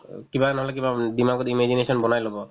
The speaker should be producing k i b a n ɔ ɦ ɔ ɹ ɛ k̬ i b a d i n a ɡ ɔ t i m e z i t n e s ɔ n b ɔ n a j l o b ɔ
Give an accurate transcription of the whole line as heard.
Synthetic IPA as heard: k i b a n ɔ ɦ ɔ l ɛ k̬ i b a d i m a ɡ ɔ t i m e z i n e s ɔ n b ɔ n a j l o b ɔ